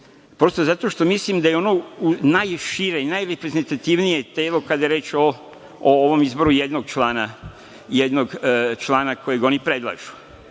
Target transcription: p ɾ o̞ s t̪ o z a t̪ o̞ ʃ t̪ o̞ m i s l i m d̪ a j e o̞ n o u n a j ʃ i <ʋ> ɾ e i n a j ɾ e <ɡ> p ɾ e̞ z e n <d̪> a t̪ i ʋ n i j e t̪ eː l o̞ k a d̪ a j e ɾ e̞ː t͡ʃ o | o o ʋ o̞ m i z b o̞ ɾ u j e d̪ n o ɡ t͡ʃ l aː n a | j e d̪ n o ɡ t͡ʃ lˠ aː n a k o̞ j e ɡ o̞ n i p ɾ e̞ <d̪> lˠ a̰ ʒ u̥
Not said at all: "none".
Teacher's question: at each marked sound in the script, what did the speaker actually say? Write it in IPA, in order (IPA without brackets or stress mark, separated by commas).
none, none, t̪, d̪